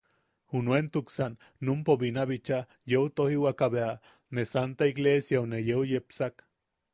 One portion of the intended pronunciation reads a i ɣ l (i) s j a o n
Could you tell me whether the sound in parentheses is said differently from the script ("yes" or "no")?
yes